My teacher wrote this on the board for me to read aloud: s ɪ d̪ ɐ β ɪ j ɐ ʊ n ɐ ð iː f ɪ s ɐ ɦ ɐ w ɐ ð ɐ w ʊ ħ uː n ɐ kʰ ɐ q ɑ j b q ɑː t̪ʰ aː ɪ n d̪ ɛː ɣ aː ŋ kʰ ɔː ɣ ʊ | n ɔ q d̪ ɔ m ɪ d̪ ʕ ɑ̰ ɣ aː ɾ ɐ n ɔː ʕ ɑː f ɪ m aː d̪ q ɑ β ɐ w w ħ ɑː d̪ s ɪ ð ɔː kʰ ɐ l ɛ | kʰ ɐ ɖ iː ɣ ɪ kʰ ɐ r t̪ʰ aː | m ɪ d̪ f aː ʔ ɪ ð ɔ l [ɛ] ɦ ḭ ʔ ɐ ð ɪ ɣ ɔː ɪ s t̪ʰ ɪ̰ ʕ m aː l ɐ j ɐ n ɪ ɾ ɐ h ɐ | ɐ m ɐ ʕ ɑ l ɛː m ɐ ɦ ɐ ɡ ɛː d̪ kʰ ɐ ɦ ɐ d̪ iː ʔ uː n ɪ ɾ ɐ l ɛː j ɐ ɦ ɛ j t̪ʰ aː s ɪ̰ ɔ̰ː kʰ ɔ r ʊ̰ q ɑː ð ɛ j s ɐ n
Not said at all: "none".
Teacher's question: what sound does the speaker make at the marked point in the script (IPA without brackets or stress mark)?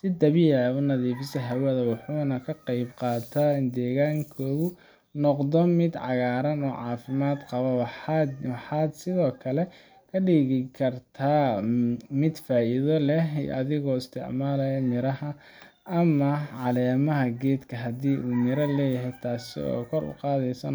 ɛ